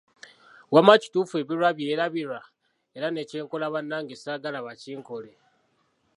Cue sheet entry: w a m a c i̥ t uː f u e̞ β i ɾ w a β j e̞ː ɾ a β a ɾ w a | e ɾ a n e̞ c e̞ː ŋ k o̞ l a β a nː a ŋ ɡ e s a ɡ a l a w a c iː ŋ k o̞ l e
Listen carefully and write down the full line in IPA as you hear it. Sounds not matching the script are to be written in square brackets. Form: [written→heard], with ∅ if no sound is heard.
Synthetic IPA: w a m a c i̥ t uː f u e̞ β i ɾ w a β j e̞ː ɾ a β [a→i] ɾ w a | e ɾ a n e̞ c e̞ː ŋ k o̞ l a β a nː a ŋ ɡ e s a ɡ a l a [w→β] a c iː ŋ k o̞ l e